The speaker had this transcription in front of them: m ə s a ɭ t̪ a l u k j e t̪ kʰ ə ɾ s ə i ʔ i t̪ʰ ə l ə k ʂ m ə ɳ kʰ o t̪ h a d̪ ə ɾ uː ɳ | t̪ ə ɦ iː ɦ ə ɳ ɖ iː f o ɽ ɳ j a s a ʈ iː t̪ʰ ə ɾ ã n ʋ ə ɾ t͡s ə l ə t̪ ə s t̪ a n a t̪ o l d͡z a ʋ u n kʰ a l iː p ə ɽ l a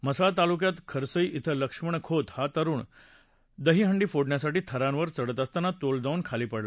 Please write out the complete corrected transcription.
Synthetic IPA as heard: m ə s a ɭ t̪ a l u k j a t̪ kʰ ə ɾ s ə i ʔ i t̪ʰ ə l ə k ʂ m ə ɳ kʰ o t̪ h a t̪ ə ɾ uː ɳ | d̪ ə ɦ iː ɦ ə ɳ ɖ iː f o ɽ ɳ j a s a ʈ iː t̪ʰ ə ɾ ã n ʋ ə ɾ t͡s ə ɽ ə t̪ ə s t̪ a n a t̪ o l d͡z a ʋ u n kʰ a l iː p ə ɽ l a